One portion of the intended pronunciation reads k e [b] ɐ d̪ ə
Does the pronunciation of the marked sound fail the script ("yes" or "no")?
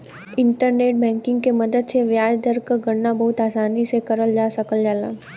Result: yes